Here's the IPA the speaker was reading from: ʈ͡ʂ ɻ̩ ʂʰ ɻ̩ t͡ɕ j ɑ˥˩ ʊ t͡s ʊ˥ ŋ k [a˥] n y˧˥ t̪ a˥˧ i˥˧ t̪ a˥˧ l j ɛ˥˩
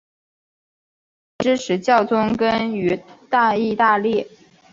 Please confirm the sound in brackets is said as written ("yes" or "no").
no